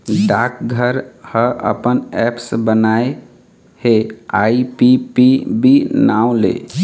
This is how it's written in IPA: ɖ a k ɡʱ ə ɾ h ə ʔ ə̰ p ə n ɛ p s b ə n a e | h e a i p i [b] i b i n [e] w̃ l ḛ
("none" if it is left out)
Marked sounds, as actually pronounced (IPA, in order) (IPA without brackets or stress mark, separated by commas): p, a